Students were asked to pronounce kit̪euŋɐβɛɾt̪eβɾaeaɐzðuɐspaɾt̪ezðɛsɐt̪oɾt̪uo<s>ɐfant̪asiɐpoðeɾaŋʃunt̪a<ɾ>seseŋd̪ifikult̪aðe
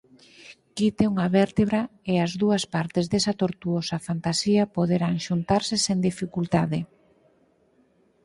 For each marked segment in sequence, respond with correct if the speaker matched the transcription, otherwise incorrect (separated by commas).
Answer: correct, correct